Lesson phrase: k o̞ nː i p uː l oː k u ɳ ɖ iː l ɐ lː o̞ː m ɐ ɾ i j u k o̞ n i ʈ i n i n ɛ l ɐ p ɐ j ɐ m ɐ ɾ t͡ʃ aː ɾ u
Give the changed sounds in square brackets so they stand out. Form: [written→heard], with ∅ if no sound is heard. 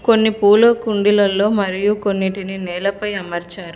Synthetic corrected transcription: k o̞ nː i p uː l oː k u ɳ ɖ [iː→i] l ɐ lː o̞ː m ɐ ɾ i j u k o̞ [n→nː] i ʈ i n i n [ɛ→ɛː] l ɐ p ɐ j ɐ m ɐ ɾ t͡ʃ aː ɾ u